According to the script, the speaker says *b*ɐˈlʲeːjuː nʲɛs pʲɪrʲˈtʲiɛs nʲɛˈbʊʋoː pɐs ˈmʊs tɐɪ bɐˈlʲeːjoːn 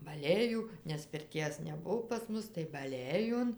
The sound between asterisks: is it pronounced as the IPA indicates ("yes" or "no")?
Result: yes